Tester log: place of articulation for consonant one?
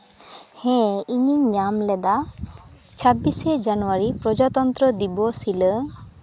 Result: glottal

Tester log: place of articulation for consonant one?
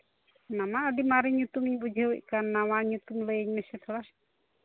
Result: alveolar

